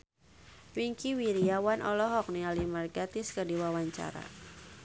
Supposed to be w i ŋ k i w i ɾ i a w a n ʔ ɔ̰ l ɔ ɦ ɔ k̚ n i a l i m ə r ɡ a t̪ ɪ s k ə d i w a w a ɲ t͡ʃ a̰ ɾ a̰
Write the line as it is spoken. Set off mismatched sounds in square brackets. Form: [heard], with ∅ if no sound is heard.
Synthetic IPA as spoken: w i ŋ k i w i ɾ i a w a n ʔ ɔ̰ l ɔ ɦ ɔ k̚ n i a l i m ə r ɡ a t̪ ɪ s k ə d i w a w a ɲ t͡ʃ a̰ ɾ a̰

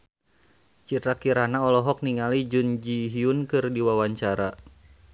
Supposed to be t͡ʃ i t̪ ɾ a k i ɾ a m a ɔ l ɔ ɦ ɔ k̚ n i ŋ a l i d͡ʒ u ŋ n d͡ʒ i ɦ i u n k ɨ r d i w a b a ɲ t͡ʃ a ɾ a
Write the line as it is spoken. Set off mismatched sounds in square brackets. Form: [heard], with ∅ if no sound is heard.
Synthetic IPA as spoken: t͡ʃ i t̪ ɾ a k i ɾ a [n] a ɔ l ɔ ɦ ɔ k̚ n i ŋ a l i d͡ʒ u [∅] n d͡ʒ i ɦ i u n k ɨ r d i w a [w] a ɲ t͡ʃ a ɾ a

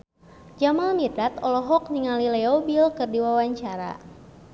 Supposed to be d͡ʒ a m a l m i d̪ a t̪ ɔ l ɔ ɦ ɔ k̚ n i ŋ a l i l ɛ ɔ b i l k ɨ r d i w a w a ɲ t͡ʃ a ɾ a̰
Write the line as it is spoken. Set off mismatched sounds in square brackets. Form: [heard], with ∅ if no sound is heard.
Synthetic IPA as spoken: d͡ʒ a m a l m i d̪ a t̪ ɔ l ɔ ɦ ɔ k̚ n i ŋ a l i l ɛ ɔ b i l k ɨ r d i w a w a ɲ t͡ʃ a ɾ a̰

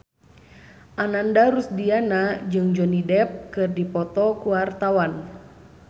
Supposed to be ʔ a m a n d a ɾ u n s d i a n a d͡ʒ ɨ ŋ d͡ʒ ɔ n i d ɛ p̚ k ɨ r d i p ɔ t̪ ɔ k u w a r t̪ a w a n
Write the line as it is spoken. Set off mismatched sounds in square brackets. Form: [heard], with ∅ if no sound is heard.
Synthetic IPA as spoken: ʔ a [n] a n d a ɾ u [∅] s d i a n a d͡ʒ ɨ ŋ d͡ʒ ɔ n i d ɛ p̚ k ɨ r d i p ɔ t̪ ɔ k u w a r t̪ a w a n

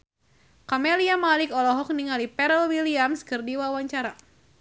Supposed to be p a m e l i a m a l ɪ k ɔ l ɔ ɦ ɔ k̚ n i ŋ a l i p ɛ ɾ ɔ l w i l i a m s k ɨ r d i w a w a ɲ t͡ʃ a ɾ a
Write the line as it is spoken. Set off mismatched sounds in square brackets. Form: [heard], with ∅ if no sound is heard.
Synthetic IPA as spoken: [k] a m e l i a m a l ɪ k ɔ l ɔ ɦ ɔ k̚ n i ŋ a l i p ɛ ɾ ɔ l w i l i a m s k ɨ r d i w a w a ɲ t͡ʃ a ɾ a

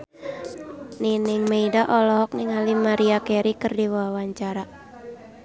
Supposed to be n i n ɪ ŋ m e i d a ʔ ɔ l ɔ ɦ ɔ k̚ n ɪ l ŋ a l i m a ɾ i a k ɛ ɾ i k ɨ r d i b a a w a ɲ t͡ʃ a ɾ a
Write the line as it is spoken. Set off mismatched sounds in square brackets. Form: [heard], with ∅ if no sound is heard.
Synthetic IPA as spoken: n i n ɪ ŋ m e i d a ʔ ɔ l ɔ ɦ ɔ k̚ n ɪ [∅] ŋ a l i m a ɾ i a k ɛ ɾ i k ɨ r d i [w] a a w a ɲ t͡ʃ a ɾ a

